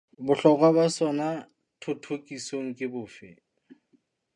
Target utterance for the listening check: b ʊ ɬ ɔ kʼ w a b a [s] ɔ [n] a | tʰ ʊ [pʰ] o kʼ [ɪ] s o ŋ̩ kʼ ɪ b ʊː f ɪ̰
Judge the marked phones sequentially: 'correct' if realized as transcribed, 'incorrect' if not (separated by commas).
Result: correct, correct, incorrect, incorrect